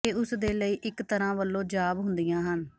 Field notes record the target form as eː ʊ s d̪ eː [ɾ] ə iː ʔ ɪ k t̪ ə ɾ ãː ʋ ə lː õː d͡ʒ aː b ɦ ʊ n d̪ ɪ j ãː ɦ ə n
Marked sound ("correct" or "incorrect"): incorrect